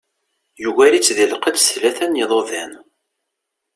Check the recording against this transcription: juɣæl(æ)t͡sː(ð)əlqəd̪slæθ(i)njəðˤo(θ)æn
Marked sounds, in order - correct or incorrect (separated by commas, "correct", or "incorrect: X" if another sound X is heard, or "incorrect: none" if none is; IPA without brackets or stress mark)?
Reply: incorrect: i, correct, incorrect: æ, incorrect: ð